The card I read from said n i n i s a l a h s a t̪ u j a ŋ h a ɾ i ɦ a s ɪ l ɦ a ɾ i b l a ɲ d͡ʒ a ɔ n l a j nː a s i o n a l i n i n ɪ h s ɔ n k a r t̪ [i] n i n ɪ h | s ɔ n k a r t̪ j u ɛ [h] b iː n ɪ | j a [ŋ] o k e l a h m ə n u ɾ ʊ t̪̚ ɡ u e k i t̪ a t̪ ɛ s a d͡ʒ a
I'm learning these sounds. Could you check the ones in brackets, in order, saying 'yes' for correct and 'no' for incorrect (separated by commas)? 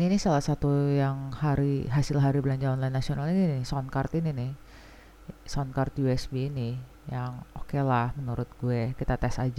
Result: yes, no, yes